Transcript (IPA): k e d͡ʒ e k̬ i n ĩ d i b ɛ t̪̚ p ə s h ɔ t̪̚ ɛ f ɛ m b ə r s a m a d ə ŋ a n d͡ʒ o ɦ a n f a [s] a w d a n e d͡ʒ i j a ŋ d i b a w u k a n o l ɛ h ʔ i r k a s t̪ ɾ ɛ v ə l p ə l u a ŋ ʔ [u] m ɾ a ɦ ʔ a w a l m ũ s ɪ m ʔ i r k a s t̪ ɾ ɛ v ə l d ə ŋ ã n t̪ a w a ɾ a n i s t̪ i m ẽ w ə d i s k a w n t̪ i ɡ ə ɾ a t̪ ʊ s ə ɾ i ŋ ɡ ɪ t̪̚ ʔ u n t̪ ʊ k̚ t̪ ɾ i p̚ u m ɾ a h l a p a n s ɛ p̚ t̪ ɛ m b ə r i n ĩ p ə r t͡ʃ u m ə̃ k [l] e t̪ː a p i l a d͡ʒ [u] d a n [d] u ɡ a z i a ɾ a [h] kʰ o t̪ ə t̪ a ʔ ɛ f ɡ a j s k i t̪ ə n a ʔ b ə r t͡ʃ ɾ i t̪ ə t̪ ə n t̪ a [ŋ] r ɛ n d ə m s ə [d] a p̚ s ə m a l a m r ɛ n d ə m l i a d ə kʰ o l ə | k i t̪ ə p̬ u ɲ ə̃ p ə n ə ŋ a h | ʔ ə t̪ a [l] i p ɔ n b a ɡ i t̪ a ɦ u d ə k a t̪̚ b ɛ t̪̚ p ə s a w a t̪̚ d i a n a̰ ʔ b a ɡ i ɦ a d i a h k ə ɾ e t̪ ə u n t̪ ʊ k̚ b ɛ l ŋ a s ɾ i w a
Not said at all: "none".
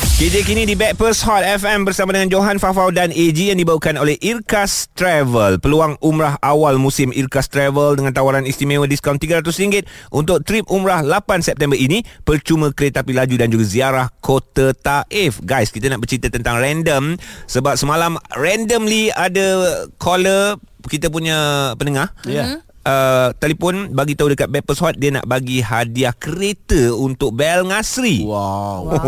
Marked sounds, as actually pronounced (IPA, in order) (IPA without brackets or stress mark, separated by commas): f, u, ɾ, u, d͡ʒ, h, ŋ, b, l